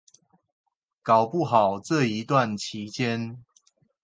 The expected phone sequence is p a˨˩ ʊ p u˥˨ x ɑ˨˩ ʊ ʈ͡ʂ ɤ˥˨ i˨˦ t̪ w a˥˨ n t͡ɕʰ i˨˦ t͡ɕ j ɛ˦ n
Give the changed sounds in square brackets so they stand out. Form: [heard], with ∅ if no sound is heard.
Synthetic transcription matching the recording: [k] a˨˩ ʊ p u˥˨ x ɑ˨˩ ʊ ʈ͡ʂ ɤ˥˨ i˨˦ t̪ w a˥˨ n t͡ɕʰ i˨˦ t͡ɕ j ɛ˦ n